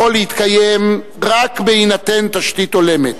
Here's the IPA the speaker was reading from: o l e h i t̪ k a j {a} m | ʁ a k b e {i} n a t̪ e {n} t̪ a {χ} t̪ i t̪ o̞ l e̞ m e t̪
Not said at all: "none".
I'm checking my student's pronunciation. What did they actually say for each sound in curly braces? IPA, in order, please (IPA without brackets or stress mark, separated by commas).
e, i, n, ʃ